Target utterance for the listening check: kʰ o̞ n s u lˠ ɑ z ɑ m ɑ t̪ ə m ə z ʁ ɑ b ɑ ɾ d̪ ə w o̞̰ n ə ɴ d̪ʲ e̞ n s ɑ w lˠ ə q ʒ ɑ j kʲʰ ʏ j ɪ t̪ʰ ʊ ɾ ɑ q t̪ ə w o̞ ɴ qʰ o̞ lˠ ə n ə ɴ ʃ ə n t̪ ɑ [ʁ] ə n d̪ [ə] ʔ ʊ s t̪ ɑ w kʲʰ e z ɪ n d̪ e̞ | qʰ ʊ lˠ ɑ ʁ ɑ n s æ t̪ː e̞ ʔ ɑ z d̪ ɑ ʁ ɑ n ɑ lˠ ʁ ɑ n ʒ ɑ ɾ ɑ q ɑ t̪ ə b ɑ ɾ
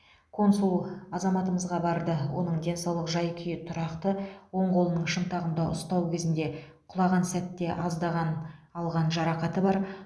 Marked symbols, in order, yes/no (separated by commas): yes, no